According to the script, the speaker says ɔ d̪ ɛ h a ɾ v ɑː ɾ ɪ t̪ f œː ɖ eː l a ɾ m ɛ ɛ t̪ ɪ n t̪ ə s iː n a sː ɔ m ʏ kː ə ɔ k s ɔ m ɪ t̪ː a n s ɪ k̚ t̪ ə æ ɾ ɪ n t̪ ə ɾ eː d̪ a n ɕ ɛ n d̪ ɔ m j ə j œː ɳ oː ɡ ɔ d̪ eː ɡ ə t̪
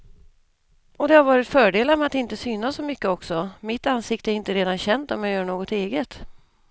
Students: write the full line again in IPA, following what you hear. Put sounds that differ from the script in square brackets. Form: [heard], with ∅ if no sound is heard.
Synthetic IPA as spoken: ɔ d̪ ɛ h a ɾ v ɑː ɾ ɪ t̪ f œː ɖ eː l a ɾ m ɛ [a] t̪ ɪ n t̪ ə s [yː] n a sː ɔ m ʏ kː ə ɔ k s ɔ m ɪ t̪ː a n s ɪ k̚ t̪ ə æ ɾ ɪ n t̪ ə ɾ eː d̪ a n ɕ ɛ n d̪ ɔ m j [a] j œː ɳ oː ɡ ɔ [t̪] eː ɡ ə t̪